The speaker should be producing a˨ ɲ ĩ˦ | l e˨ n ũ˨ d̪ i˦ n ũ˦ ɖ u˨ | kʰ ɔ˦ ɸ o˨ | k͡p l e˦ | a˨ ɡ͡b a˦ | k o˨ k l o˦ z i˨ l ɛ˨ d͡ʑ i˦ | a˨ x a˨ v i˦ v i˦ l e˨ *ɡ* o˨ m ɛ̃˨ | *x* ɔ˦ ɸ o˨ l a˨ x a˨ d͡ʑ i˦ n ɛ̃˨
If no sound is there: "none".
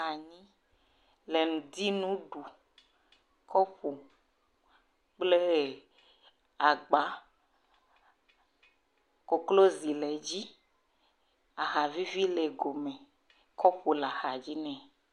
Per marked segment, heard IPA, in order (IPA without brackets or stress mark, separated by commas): ɡ, k